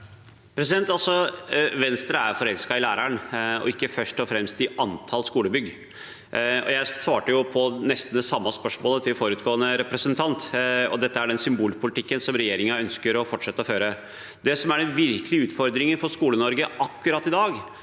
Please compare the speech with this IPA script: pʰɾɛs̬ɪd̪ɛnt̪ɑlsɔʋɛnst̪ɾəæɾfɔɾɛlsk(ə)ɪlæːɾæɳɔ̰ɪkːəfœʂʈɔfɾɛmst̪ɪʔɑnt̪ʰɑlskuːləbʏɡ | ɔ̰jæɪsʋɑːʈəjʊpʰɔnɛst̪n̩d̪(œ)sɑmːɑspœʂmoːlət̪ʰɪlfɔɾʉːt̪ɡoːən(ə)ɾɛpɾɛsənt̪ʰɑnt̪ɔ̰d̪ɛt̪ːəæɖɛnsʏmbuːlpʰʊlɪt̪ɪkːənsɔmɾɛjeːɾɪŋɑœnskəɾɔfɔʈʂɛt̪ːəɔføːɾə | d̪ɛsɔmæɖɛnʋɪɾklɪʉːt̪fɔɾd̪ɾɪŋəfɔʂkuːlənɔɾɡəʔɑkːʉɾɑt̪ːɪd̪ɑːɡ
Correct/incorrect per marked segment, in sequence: incorrect, incorrect, correct

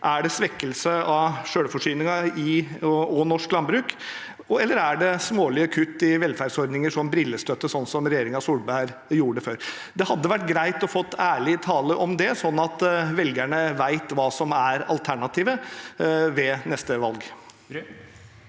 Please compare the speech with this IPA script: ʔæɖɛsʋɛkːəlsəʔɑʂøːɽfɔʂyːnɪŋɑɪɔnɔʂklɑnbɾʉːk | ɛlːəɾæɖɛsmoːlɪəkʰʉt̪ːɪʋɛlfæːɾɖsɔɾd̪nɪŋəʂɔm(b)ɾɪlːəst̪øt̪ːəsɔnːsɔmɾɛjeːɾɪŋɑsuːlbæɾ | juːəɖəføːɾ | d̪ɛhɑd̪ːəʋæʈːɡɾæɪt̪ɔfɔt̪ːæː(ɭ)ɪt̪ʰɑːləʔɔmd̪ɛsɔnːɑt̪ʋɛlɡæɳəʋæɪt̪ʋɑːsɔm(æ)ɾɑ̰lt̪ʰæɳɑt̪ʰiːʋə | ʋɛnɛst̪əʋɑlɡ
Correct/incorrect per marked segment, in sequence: correct, correct, correct

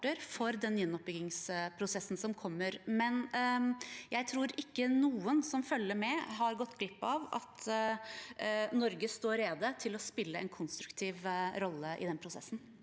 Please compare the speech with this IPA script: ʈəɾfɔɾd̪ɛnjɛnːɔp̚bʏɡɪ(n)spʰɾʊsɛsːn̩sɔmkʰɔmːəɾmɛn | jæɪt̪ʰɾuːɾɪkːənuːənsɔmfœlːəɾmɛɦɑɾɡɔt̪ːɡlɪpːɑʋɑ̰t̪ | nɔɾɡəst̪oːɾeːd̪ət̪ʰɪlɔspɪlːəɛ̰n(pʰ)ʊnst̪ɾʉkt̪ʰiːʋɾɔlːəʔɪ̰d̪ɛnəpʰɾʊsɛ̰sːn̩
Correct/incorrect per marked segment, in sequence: incorrect, incorrect

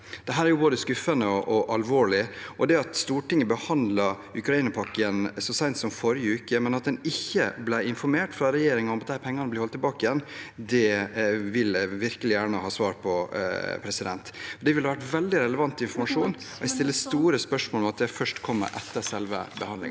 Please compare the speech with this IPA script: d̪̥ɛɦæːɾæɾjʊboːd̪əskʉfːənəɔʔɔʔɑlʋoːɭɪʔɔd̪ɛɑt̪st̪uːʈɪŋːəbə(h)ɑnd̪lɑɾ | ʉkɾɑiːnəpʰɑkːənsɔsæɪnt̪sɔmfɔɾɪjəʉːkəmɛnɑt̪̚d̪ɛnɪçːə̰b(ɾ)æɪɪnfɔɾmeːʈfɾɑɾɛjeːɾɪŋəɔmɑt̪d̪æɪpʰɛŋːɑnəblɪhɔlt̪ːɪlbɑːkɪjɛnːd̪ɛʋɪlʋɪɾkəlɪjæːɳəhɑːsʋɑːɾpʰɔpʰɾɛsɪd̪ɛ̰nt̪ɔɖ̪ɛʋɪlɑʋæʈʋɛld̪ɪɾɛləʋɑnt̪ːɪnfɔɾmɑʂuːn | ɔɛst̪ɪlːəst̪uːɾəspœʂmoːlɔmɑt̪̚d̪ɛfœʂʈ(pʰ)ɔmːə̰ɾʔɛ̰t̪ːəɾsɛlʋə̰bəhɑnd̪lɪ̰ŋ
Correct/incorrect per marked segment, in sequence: correct, incorrect, incorrect

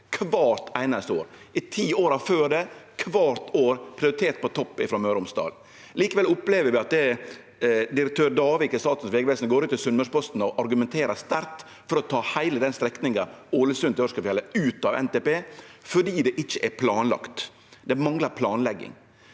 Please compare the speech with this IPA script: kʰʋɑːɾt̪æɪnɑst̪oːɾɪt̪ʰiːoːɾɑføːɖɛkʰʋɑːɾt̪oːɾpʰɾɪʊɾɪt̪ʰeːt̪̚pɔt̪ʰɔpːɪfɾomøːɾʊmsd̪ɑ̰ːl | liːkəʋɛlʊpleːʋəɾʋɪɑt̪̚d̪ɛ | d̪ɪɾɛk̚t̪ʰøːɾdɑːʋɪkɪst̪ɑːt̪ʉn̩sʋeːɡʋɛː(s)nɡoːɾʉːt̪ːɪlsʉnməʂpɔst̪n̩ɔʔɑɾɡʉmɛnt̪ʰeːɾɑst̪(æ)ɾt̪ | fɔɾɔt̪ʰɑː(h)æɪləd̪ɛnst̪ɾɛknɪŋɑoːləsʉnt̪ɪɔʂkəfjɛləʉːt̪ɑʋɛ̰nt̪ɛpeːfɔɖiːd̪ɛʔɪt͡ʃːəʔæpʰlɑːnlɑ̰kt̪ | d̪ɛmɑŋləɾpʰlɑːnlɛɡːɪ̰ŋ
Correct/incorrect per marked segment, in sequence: correct, correct, correct

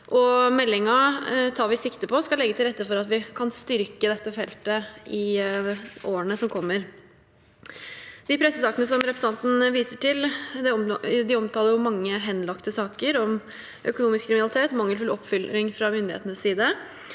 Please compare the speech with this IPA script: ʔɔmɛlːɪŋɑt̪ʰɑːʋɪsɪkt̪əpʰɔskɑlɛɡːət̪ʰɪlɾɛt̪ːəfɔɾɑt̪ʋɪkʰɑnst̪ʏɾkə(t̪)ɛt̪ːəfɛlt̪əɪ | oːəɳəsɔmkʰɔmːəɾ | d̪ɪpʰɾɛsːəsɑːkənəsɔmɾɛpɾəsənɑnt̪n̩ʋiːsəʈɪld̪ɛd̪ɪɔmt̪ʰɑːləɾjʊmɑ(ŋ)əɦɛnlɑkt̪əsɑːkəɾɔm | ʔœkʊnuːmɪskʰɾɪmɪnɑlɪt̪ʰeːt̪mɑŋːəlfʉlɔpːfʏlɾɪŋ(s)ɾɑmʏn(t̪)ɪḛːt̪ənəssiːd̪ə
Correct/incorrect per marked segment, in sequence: incorrect, incorrect, incorrect, incorrect

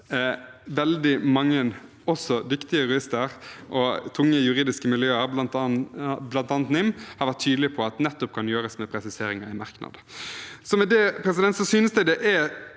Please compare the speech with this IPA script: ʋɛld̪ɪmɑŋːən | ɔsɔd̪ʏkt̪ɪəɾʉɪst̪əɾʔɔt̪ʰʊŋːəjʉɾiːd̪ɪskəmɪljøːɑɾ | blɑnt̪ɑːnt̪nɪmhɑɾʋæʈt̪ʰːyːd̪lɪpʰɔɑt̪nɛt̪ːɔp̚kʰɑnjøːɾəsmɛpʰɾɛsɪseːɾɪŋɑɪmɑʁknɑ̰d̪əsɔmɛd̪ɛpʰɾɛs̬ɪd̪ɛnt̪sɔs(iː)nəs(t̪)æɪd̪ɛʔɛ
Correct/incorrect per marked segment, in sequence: incorrect, incorrect

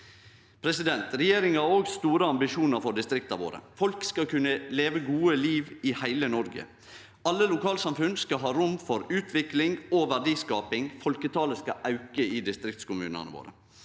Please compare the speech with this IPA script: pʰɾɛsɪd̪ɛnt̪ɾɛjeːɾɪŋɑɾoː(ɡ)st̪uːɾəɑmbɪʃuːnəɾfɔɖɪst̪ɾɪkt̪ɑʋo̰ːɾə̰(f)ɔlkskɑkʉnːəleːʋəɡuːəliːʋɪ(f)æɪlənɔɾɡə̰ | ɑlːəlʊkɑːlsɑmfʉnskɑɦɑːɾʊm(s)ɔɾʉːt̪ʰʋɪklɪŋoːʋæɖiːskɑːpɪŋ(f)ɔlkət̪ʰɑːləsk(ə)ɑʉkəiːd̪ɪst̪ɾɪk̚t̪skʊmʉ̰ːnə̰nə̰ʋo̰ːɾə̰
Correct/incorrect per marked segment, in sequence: correct, correct, incorrect, incorrect, correct, incorrect

